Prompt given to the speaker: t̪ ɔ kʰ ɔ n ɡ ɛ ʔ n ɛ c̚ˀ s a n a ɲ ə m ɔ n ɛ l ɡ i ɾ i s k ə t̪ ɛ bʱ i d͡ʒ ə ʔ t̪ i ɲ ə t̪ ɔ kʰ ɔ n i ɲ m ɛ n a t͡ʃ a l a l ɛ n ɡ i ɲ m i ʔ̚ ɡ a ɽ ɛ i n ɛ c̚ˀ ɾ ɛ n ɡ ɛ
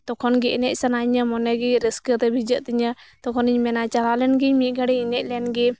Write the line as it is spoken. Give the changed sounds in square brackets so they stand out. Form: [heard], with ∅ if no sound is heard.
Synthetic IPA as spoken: t̪ ɔ kʰ ɔ n ɡ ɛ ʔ n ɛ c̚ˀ s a n a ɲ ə m ɔ n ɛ [∅] ɡ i ɾ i s k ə t̪ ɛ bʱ i d͡ʒ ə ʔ t̪ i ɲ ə t̪ ɔ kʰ ɔ n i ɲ m ɛ n a t͡ʃ a l a l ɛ n ɡ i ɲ m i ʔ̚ ɡ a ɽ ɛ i n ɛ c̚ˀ [l] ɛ n ɡ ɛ